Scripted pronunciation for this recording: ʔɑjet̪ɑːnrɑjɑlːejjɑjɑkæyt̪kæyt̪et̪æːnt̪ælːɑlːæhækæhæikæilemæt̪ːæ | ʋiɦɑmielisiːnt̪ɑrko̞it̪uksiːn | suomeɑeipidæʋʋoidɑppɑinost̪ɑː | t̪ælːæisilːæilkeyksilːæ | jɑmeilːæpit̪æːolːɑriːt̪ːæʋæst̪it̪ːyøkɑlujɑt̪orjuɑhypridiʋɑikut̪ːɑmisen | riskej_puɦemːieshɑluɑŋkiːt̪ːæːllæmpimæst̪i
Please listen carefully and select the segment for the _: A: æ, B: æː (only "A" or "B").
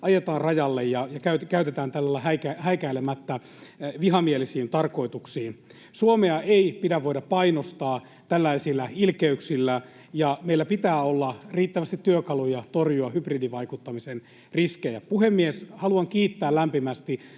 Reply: A